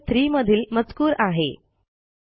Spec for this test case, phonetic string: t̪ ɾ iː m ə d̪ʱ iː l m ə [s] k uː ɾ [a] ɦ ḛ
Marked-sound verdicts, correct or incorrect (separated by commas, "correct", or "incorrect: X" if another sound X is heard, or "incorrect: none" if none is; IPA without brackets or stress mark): incorrect: t͡s, correct